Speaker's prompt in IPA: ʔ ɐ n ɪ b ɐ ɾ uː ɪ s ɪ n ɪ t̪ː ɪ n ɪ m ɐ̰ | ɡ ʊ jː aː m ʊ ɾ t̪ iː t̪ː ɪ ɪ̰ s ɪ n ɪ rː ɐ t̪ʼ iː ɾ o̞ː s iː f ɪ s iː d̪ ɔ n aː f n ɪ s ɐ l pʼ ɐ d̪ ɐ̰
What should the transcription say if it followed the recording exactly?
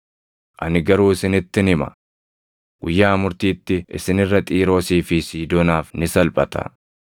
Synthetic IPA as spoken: ʔ ɐ n ɪ ɡ ɐ ɾ uː ɪ s ɪ n ɪ t̪ː ɪ n ɪ m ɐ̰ | ɡ ʊ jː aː m ʊ ɾ t̪ iː t̪ː ɪ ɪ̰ s ɪ n ɪ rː ɐ t̪ʼ iː ɾ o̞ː s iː f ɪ s iː d̪ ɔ n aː f n ɪ s ɐ l pʼ ɐ t̪ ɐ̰